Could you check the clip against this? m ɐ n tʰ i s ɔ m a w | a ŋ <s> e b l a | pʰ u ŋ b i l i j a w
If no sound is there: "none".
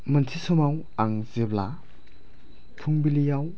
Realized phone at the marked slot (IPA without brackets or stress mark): z